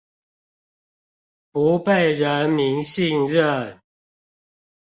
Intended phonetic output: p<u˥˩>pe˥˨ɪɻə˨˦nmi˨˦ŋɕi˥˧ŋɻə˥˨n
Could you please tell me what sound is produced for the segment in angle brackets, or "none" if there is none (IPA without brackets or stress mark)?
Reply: u˨˦